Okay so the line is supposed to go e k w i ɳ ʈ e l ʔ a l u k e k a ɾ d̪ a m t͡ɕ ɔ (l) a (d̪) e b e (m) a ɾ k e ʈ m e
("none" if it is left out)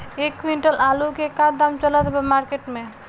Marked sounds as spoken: l, d̪, m

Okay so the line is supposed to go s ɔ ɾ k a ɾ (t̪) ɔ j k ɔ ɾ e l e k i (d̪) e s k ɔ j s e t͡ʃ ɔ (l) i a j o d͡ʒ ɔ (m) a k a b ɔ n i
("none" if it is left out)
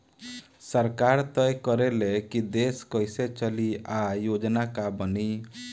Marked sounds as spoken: t̪, d̪, l, n

